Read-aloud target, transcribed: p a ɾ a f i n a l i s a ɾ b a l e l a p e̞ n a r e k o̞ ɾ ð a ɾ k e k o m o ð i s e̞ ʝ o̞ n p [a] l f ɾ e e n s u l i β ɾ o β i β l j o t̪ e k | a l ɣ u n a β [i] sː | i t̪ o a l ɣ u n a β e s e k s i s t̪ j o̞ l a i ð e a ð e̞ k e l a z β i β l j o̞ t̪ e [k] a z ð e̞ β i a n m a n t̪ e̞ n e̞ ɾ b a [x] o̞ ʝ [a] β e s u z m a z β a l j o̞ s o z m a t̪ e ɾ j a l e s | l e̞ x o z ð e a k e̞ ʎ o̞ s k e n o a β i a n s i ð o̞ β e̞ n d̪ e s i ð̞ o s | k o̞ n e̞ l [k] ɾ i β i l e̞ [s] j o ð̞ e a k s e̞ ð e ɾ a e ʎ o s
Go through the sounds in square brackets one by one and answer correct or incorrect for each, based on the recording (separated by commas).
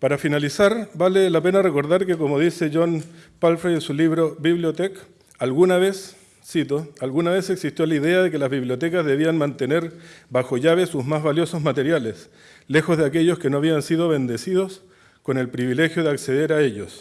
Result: correct, incorrect, correct, correct, correct, incorrect, incorrect